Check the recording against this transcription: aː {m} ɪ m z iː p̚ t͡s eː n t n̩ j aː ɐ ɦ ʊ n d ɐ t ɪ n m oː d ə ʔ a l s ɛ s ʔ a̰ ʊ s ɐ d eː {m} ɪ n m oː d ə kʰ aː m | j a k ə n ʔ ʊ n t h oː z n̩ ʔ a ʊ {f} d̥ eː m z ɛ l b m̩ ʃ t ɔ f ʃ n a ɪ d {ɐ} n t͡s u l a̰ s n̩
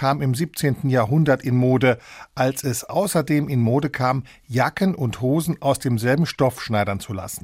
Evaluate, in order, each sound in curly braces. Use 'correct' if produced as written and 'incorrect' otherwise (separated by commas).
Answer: correct, correct, incorrect, correct